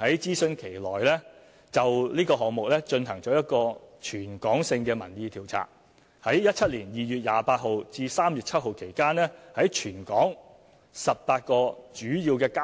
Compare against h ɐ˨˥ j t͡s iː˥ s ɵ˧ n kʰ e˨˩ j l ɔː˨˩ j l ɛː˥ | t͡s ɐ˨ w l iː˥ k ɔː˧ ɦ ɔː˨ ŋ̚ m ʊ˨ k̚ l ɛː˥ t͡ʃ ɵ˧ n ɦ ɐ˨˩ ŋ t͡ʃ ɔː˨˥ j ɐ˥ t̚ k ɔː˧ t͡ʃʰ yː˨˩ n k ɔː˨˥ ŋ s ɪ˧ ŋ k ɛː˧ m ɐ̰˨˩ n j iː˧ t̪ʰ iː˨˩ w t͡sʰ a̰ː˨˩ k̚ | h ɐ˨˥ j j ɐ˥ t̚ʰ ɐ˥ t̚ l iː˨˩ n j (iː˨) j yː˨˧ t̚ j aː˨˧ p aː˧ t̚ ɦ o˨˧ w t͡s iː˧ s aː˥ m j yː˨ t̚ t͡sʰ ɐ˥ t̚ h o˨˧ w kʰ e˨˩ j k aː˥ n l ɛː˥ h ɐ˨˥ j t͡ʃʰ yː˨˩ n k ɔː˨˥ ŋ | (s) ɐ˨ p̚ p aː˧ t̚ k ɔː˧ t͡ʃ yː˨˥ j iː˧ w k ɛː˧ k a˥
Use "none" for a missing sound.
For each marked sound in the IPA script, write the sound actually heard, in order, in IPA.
iː˨, s

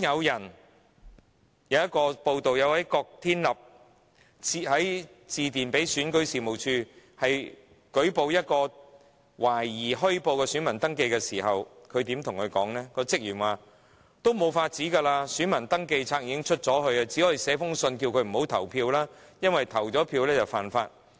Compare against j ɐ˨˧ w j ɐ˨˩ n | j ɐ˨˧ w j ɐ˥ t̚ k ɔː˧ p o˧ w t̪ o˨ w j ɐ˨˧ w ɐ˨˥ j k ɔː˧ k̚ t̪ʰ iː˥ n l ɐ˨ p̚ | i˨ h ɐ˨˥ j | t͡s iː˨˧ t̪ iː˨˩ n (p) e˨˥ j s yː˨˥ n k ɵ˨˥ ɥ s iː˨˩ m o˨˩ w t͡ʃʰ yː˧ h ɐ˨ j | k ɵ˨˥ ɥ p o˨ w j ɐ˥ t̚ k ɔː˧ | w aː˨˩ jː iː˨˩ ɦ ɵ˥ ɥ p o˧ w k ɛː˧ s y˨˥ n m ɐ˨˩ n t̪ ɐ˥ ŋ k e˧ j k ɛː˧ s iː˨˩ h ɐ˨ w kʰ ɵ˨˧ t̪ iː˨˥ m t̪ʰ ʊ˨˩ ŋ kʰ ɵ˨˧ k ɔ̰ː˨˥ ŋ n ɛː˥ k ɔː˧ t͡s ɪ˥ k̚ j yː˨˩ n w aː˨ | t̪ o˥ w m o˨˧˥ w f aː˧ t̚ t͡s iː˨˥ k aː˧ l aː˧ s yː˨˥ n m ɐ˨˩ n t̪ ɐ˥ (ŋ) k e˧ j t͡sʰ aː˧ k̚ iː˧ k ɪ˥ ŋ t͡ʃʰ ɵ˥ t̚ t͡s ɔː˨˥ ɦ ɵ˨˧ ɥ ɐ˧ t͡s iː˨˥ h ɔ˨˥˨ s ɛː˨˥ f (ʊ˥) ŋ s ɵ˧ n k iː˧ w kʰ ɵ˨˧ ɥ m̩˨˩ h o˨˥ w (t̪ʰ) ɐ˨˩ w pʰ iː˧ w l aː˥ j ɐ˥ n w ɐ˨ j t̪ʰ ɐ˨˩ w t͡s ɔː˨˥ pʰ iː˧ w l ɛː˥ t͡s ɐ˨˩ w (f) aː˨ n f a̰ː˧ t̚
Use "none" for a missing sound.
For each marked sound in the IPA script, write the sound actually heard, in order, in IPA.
p, ŋ, ʊ˥, t̪ʰ, f

